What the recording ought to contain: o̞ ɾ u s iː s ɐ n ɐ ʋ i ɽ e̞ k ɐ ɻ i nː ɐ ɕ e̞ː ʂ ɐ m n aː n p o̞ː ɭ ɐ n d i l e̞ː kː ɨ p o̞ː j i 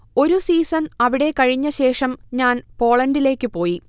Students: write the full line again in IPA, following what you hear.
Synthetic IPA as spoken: o̞ ɾ u s iː s ɐ n ɐ ʋ i ɽ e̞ k ɐ ɻ i ɲː ɐ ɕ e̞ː ʂ ɐ m ɲ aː n p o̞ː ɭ ɐ n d i l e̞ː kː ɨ p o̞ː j i